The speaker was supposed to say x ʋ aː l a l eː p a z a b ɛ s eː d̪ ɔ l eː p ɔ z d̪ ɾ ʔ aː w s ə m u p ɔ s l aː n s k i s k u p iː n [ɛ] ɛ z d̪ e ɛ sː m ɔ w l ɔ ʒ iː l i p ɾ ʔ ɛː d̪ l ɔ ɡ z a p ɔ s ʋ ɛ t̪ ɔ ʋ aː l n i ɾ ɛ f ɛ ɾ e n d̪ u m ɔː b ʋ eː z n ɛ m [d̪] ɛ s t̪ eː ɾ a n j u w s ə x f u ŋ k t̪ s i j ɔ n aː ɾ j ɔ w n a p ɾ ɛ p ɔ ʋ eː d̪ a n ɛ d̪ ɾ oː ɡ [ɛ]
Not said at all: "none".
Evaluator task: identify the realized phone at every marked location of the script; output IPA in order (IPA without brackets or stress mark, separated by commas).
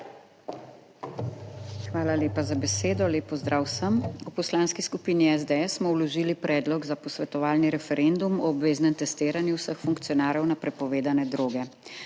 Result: i, t̪, ɛ